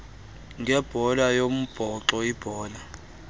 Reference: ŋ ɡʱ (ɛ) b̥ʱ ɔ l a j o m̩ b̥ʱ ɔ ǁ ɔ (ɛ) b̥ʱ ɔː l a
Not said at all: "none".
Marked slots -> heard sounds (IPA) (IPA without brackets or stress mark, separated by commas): ɛ, i